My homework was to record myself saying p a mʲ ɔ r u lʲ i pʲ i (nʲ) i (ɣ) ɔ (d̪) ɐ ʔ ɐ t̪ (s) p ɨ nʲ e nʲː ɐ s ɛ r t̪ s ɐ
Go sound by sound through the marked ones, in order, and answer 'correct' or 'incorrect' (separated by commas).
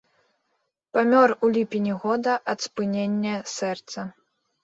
correct, correct, correct, correct